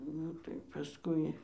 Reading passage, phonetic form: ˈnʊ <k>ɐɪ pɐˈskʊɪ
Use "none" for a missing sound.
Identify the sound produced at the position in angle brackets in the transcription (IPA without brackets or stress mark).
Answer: t